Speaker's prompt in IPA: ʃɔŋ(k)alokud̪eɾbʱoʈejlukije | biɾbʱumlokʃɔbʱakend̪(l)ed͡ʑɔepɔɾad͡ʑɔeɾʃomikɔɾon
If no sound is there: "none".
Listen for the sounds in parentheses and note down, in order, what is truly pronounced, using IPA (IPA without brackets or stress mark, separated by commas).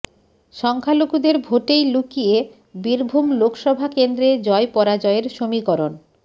kʰ, ɾ